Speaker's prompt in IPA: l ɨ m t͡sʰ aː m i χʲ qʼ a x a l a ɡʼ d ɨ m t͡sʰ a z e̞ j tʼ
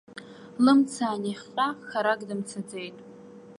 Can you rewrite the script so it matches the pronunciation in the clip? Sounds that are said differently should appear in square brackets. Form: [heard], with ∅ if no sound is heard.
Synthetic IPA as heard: l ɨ m t͡sʰ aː [n] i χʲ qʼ a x a [ɾ] a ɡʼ d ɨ m t͡sʰ a [d͡z] e̞ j tʼ